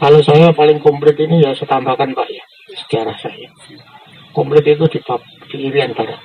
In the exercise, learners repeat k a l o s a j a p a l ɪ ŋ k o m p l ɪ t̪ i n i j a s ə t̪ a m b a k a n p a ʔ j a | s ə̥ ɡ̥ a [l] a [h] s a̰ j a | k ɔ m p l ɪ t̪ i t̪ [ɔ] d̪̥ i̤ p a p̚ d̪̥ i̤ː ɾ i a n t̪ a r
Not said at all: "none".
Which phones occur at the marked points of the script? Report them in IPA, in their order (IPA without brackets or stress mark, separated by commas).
ɾ, h, u